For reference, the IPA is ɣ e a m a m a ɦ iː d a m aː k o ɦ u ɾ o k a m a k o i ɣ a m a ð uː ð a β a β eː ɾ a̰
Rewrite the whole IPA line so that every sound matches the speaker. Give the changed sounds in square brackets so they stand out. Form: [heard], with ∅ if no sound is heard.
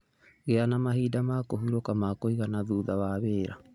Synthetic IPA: ɣ e a [n] a m a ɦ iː d a m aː k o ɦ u ɾ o k a m a k o i ɣ a [n] a ð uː ð a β a β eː ɾ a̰